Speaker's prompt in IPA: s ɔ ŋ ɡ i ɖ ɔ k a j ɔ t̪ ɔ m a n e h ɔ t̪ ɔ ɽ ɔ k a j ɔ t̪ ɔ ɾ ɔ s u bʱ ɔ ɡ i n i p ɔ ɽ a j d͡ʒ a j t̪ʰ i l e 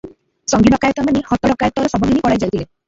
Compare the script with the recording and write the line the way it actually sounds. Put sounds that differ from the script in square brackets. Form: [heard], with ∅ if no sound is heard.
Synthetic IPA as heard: s ɔ ŋ ɡ i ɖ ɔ k a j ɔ t̪ ɔ m a n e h ɔ t̪ ɔ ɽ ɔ k a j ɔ t̪ ɔ ɾ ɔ s [ɔ] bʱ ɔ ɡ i n i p ɔ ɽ a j d͡ʒ a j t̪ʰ i l e